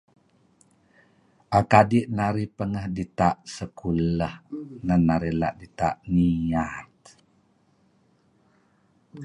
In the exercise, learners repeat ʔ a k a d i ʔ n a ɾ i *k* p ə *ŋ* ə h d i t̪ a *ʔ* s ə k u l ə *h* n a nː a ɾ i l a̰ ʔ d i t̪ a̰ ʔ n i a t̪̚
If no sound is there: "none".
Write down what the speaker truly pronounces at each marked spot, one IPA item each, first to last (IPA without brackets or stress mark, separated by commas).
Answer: none, ŋ, ʔ, h